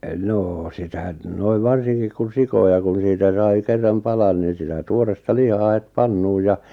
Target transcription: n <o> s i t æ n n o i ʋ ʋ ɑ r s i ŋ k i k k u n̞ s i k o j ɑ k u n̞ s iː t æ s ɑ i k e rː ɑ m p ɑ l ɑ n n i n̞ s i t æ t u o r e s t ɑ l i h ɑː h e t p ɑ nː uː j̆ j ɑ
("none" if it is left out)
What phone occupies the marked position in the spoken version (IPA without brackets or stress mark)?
oː